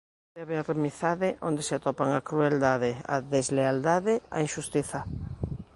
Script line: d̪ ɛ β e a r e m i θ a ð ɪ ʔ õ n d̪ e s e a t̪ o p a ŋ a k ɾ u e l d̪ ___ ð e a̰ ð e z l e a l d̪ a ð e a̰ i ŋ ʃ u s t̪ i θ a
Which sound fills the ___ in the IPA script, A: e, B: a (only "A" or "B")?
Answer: B